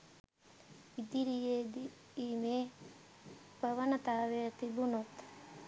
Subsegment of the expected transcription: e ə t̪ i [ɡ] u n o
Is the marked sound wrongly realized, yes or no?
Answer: yes